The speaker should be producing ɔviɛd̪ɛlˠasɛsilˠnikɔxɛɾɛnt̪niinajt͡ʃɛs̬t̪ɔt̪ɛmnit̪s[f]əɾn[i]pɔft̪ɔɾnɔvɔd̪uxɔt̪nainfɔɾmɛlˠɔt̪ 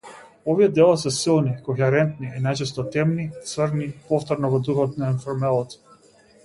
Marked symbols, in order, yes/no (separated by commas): no, yes